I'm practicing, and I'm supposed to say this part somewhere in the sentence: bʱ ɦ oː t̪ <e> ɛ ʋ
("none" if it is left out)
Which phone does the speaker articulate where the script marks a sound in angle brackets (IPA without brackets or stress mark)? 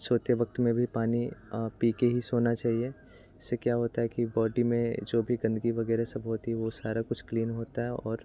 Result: i